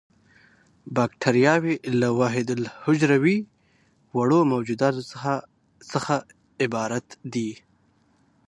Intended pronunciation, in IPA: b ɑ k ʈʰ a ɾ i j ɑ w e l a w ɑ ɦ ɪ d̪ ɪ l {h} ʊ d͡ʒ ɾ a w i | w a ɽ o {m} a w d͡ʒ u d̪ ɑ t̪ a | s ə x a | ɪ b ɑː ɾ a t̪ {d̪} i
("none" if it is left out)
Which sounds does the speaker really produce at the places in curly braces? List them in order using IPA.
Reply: h, m, d̪

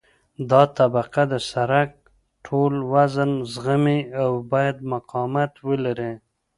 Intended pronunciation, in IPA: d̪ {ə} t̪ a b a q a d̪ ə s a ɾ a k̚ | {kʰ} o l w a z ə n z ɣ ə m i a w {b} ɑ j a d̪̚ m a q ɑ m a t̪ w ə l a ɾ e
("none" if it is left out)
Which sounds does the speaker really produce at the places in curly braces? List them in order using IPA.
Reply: ɑ, ʈʰ, b

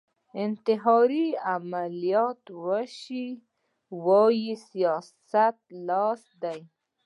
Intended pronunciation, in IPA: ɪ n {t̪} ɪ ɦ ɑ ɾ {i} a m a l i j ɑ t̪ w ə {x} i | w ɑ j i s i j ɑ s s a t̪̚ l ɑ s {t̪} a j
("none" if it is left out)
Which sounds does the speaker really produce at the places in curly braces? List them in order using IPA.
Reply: t̪, i, ʃ, d̪

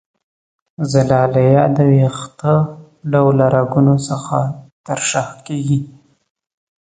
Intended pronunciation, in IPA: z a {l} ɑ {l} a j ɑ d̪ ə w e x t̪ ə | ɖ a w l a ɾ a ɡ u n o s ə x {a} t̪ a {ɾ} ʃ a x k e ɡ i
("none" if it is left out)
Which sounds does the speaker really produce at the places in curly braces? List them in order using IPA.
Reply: l, l, a, ɾ

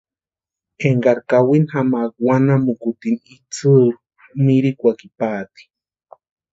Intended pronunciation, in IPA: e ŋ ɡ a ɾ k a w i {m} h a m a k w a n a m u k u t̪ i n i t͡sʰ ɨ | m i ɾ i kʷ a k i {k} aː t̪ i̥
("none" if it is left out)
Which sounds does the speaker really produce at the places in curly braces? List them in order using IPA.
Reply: n, p

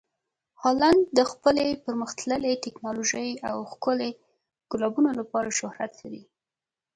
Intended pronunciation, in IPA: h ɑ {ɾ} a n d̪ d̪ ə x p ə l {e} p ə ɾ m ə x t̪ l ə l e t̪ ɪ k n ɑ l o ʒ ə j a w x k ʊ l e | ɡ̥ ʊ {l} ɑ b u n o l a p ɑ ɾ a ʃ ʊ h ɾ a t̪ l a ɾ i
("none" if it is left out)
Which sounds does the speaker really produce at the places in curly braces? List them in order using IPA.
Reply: l, e, l

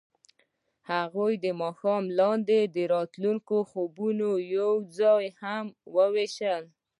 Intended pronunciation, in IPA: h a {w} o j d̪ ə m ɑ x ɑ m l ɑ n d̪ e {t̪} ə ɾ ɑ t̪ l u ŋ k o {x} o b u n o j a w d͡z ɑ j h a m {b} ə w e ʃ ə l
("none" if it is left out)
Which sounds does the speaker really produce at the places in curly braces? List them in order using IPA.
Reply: ɣ, d̪, x, w

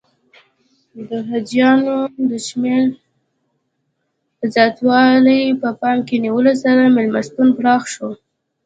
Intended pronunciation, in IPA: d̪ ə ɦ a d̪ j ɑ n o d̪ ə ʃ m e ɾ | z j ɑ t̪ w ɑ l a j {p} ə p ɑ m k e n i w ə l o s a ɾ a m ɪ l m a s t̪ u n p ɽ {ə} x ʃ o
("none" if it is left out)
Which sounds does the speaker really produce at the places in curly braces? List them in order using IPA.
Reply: p, ɑ

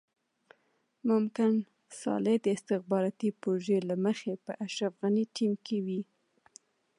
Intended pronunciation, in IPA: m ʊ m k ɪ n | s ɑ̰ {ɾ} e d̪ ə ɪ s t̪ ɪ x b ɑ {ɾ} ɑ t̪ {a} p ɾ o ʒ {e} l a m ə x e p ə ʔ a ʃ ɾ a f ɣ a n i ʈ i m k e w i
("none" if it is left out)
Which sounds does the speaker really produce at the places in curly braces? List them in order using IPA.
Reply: l, ɾ, i, e

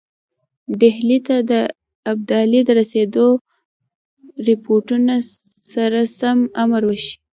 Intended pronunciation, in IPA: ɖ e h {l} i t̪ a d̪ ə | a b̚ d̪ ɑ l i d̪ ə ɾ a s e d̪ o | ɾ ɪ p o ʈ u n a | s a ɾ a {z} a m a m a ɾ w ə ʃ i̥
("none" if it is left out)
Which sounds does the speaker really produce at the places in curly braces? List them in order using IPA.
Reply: l, s

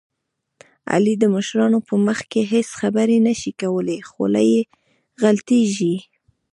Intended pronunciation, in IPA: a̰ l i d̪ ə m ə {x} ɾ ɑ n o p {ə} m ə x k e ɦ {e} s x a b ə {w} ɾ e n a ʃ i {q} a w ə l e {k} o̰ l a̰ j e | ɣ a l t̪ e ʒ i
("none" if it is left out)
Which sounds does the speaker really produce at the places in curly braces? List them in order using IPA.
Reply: ʃ, ə, e, none, k, x

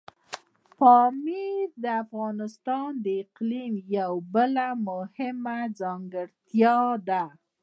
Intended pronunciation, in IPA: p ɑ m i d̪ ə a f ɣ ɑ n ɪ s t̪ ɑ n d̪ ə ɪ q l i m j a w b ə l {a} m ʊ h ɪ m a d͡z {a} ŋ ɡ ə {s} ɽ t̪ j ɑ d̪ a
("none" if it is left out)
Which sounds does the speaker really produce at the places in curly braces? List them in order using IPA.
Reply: a, ɑ, none

